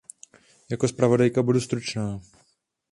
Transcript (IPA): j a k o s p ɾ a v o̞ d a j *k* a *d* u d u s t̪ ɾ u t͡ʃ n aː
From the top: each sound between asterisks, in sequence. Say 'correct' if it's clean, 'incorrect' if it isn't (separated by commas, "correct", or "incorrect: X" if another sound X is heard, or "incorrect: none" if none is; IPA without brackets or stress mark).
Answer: correct, incorrect: b